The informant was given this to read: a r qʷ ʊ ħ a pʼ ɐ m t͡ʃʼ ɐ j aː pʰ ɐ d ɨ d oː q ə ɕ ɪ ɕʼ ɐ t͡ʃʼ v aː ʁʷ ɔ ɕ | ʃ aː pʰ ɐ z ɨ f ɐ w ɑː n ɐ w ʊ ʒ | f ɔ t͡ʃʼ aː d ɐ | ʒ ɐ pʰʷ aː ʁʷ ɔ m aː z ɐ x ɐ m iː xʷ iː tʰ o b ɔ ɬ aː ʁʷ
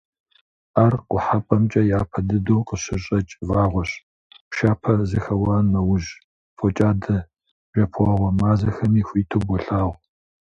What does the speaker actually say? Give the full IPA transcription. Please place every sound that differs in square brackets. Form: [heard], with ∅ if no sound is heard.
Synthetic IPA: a r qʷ ʊ ħ a pʼ ɐ m t͡ʃʼ ɐ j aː pʰ ɐ d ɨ d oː q ə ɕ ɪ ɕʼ ɐ t͡ʃʼ v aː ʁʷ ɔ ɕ | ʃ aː pʰ ɐ z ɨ [x] ɐ w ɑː n ɐ w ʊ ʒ | f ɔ t͡ʃʼ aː d ɐ | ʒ ɐ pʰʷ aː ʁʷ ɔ m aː z ɐ x ɐ m iː xʷ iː tʰ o b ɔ ɬ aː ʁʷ